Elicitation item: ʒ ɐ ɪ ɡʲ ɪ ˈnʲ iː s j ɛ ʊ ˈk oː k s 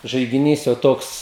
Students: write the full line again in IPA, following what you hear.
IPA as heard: ʒ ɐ ɪ ɡʲ ɪ ˈnʲ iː s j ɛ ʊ ˈt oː k s

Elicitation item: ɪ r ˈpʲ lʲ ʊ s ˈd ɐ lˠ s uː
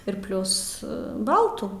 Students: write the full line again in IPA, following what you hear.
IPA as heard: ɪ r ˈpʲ lʲ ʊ s ˈb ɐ lˠ t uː

